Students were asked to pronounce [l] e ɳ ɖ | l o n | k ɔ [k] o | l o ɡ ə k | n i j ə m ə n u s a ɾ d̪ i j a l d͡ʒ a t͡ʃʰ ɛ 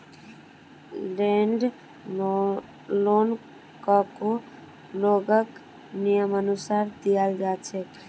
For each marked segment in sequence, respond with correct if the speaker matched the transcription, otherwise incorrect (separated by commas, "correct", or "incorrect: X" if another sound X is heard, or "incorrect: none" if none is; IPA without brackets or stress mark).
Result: correct, correct